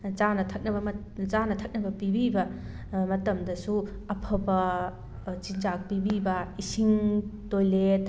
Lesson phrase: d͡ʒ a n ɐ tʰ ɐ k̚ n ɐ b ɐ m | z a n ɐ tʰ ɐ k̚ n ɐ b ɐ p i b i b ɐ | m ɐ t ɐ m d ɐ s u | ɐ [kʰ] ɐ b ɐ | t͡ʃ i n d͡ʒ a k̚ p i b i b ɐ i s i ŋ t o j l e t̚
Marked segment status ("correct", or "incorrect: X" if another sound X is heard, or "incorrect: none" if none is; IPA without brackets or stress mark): incorrect: pʰ